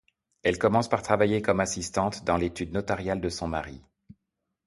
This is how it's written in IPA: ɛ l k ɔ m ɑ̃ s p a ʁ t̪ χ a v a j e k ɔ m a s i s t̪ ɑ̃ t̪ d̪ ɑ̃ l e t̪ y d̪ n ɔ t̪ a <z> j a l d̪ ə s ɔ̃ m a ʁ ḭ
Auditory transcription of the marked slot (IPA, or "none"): ʁ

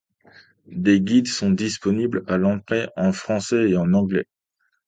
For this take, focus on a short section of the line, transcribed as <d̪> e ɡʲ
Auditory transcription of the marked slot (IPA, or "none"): d̪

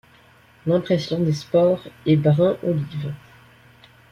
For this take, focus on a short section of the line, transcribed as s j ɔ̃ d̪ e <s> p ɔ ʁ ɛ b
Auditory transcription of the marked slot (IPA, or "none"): s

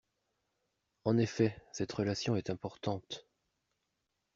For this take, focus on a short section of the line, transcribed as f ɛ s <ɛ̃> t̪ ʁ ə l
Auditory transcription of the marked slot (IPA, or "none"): ɛ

